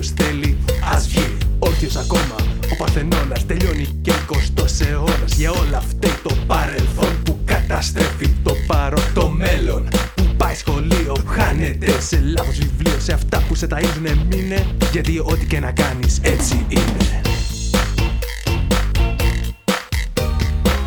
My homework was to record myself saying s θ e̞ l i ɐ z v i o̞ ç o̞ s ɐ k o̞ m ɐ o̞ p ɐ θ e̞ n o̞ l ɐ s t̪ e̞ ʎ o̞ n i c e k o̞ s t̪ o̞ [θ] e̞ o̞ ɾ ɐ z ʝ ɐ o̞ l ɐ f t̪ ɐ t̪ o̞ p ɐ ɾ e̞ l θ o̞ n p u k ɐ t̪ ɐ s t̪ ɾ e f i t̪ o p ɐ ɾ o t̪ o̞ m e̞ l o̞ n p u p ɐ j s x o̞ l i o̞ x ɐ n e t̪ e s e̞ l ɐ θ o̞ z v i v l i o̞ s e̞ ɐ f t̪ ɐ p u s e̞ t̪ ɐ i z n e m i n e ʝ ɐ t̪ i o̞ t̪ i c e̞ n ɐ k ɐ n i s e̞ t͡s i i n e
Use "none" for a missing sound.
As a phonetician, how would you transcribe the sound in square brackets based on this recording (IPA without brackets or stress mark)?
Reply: s